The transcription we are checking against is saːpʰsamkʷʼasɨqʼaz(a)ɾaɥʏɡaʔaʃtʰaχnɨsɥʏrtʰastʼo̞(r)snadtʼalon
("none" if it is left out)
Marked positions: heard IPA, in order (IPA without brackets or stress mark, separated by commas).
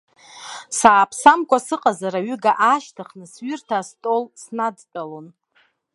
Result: a, l